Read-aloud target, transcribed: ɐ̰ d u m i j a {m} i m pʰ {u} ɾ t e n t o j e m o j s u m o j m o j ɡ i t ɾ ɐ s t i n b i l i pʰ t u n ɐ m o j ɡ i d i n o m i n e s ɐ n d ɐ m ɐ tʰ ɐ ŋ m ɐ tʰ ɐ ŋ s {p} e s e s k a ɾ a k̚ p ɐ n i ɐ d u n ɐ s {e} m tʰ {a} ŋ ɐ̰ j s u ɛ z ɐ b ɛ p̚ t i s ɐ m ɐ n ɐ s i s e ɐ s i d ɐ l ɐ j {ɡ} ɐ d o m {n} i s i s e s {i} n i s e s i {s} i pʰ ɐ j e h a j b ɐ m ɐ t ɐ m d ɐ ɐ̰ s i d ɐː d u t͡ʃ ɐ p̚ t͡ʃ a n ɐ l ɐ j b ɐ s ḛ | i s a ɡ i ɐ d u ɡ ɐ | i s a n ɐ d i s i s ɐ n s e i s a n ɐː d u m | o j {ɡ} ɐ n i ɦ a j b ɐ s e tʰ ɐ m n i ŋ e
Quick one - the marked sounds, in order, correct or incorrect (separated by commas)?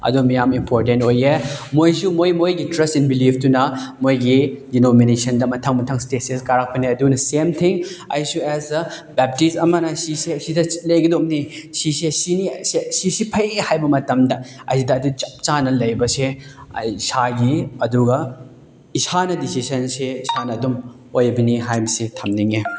correct, incorrect, incorrect, correct, incorrect, correct, correct, correct, correct, incorrect